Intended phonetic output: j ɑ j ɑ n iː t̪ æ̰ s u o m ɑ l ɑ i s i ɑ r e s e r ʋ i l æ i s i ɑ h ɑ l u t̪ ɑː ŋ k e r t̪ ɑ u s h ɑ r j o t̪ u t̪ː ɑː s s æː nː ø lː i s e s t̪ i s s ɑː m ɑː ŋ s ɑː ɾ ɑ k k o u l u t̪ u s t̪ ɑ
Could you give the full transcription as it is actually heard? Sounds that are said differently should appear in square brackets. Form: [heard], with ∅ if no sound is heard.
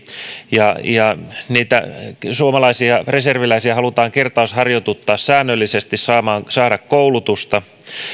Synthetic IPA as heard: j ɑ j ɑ n iː t̪ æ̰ s u o m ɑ l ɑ i s i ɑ r e s e r ʋ i l æ i s i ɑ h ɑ l u t̪ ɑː ŋ k e r t̪ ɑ u s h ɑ r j o t̪ u t̪ː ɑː s s æː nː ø lː i s e s t̪ i s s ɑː m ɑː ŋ s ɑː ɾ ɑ k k o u l u t̪ u s t̪ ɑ